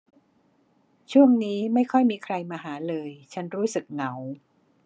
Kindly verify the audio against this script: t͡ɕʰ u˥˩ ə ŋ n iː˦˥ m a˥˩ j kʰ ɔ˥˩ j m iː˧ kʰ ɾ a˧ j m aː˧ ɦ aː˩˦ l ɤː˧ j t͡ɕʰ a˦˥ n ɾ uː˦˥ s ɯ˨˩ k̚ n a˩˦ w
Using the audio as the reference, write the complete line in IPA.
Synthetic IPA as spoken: t͡ɕʰ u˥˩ ə ŋ n iː˦˥ m a˥˩ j kʰ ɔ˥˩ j m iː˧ kʰ ɾ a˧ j m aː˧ ɦ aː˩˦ l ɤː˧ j t͡ɕʰ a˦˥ n ɾ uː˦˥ s ɯ˨˩ k̚ n a˩˦ w